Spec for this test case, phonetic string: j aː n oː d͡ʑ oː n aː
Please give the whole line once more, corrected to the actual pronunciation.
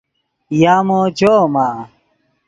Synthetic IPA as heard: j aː m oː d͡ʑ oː m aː